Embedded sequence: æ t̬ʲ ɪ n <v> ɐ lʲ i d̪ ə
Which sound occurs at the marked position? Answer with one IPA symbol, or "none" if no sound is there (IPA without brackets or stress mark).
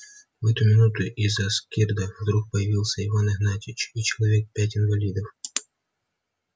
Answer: v